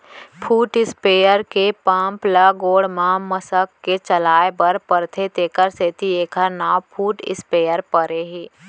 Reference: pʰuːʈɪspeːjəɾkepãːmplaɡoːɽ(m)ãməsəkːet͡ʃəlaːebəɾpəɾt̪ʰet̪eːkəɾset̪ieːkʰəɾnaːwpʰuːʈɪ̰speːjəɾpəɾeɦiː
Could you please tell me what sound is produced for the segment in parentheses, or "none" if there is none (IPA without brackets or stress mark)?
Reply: m